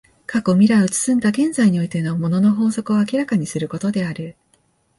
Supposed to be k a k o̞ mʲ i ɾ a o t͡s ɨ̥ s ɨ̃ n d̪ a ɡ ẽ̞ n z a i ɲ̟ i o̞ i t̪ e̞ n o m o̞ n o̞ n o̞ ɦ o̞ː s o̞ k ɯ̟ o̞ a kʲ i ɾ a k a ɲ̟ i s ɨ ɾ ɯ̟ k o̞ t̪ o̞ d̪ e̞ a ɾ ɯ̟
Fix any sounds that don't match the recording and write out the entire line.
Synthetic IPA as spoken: k a k o̞ mʲ i ɾ a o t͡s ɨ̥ s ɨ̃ n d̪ a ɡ ẽ̞ n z a i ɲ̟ i o̞ i t̪ e̞ n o m o̞ n o̞ n o̞ ɦ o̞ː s o̞ k ɯ̟ o̞ a kʲ i ɾ a k a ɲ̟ i s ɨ ɾ ɯ̟ k o̞ t̪ o̞ d̪ e̞ a ɾ ɯ̟